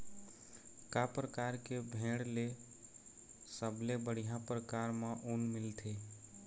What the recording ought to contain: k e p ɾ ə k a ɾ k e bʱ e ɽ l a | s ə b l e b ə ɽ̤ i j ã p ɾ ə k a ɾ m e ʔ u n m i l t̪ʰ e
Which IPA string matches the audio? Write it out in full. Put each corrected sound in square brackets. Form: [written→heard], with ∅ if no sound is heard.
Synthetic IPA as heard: k [e→a] p ɾ ə k a ɾ k e bʱ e ɽ l [a→e] | s ə b l e b ə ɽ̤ i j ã p ɾ ə k a ɾ m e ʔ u n m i l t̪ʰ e